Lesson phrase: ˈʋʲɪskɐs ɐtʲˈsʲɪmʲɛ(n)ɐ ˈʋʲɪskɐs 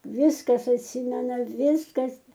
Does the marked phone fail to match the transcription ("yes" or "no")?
no